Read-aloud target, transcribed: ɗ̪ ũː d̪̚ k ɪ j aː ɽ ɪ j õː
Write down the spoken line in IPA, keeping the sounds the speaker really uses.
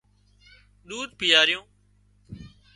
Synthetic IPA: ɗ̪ uː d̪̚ p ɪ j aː ɾ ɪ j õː